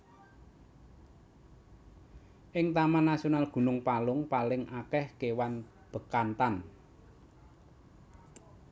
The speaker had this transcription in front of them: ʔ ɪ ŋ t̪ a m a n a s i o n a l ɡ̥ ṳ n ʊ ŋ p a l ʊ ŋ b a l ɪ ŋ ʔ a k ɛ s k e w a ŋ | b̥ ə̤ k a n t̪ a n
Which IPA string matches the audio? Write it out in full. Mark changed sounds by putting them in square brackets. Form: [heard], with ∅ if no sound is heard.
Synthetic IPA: ʔ ɪ ŋ t̪ a m a n a s i o n a l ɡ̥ ṳ n ʊ ŋ p a l ʊ ŋ [p] a l ɪ ŋ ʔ a k ɛ [h] k e w a [n] | b̥ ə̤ k a n t̪ a n

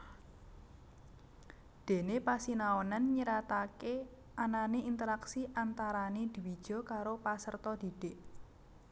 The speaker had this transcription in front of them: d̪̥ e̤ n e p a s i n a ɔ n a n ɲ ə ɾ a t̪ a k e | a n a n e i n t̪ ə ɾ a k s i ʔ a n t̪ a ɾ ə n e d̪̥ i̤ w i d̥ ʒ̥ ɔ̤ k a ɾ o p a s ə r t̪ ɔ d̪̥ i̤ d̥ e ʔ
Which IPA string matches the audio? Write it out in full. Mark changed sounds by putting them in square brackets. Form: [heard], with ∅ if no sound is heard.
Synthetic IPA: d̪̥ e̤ n e p a s i n a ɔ n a n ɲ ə ɾ a t̪ a k e | a n a n e i n t̪ ə ɾ a k s i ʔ a n t̪ a ɾ [a] n e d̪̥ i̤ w i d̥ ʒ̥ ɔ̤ k a ɾ o p a s ə r t̪ ɔ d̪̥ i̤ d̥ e ʔ

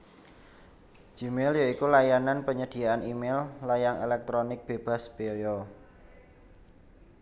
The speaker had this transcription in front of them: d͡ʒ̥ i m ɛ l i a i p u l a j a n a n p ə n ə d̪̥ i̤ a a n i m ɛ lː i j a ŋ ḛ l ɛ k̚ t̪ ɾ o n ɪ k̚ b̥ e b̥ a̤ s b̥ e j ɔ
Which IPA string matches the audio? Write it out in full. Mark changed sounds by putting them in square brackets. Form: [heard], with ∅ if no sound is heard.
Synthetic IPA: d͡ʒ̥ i m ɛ l [j] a i [k] u l a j a n a n p ə [ɲ] ə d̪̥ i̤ a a n i m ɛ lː [a] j a ŋ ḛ l ɛ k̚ t̪ ɾ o n ɪ k̚ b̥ e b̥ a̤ s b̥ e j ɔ

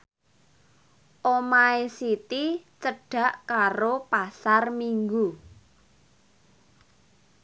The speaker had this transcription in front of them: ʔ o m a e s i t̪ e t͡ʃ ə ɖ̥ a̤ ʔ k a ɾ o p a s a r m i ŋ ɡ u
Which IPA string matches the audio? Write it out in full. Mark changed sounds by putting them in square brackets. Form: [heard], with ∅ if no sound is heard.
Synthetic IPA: ʔ o m a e s i t̪ [i] t͡ʃ ə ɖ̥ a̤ ʔ k a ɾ o p a s a r m i ŋ ɡ u

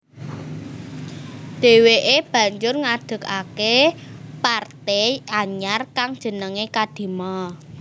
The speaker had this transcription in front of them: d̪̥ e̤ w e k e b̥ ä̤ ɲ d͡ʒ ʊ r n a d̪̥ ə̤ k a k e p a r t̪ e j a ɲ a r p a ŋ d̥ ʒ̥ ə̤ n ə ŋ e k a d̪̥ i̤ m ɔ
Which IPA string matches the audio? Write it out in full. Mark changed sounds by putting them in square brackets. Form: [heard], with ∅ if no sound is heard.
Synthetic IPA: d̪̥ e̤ w e [ʔ] e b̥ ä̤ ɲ d͡ʒ ʊ r [ŋ] a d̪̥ ə̤ k a k e p a r t̪ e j a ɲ a r [k] a ŋ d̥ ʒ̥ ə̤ n ə ŋ e k a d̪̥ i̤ m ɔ

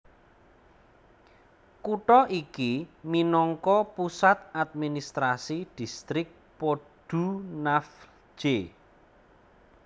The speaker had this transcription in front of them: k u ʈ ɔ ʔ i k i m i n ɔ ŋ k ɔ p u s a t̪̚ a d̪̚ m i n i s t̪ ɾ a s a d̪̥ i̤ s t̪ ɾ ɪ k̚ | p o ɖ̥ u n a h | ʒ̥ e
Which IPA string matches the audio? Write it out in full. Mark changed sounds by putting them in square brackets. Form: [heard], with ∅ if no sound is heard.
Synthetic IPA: k u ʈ ɔ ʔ i k i m i n ɔ ŋ k ɔ p u s a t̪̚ a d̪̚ m i n i s t̪ ɾ a s [i] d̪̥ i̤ s t̪ ɾ ɪ k̚ | p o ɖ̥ u n a [f] | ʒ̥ e

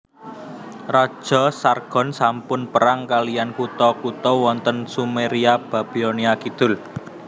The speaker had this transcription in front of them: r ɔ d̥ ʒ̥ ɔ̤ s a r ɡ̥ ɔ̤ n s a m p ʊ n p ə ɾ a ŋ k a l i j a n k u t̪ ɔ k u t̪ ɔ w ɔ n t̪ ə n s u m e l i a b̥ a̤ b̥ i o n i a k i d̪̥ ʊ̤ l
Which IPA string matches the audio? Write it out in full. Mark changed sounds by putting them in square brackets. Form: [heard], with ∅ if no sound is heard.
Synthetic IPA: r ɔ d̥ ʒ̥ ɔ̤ s a r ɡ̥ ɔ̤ n s a m p ʊ n p ə ɾ a ŋ k a l i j a n k u t̪ ɔ k u t̪ ɔ w ɔ n t̪ ə n s u m e [ɾ] i a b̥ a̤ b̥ i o n i a k i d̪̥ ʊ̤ l

